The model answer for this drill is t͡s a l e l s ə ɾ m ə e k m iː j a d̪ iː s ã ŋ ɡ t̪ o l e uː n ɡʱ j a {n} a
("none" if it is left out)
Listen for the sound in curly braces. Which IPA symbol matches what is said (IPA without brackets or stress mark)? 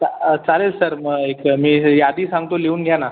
n